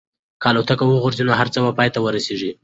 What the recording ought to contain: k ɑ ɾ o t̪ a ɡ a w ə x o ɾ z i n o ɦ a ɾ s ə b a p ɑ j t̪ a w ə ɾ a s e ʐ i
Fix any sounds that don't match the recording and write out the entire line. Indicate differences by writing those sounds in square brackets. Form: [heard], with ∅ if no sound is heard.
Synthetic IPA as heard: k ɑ [l] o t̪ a [k] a w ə [ɣ] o ɾ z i n o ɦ a ɾ [t͡s] ə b a p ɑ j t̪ a w ə ɾ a s e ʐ i